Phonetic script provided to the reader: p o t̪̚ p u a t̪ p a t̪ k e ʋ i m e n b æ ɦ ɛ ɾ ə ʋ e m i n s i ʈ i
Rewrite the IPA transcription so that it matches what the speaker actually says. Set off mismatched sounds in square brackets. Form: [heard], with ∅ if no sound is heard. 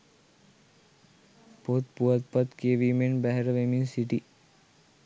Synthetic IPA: p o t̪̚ p u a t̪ p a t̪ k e ʋ i m e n b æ ɦ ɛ ɾ ə ʋ e m i n s i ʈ i